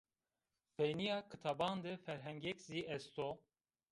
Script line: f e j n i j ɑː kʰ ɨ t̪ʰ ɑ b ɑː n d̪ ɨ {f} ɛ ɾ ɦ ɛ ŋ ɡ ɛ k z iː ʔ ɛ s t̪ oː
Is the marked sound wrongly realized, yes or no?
no